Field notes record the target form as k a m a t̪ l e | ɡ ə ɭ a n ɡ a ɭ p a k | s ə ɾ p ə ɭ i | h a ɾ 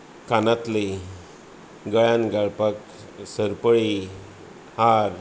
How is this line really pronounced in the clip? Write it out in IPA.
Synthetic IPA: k a n a t̪ l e | ɡ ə ɭ a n ɡ a ɭ p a k | s ə ɾ p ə ɭ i | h a ɾ